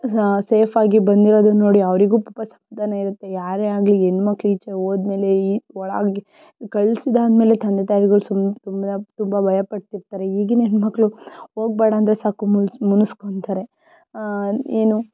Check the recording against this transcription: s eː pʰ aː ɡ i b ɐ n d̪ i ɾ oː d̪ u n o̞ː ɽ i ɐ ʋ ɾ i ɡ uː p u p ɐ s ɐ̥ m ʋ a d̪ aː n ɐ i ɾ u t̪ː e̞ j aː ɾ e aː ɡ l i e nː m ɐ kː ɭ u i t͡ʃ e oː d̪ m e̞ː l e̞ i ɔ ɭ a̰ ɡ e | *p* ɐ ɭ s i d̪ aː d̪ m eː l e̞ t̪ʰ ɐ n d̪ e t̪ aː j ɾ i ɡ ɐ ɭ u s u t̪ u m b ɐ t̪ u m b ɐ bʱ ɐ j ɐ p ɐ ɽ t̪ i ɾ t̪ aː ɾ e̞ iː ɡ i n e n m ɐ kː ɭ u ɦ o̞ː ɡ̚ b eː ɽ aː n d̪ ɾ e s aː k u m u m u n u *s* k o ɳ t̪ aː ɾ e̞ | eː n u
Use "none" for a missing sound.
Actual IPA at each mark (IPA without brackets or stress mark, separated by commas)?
k, s